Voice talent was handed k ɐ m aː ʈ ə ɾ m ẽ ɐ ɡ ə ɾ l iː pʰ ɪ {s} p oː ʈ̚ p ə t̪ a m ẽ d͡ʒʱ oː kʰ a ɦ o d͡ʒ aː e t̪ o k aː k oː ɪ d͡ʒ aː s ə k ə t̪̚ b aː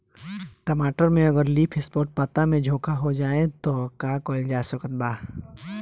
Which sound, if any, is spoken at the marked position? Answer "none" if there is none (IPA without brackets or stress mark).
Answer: s